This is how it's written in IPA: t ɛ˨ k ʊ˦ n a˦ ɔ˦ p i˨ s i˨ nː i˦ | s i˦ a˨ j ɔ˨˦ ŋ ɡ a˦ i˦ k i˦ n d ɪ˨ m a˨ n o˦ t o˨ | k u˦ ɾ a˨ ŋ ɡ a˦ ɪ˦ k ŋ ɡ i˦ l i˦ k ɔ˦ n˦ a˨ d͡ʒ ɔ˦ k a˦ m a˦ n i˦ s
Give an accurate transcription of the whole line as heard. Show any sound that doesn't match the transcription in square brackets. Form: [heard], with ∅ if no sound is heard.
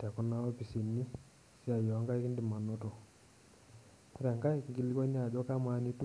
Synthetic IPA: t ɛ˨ k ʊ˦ n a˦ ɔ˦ p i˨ s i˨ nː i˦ | s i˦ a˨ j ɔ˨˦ ŋ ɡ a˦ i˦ k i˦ n d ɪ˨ m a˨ n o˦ t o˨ | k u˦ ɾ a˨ ŋ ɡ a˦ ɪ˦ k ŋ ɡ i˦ l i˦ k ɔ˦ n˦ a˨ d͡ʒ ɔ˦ k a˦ m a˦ n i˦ [t]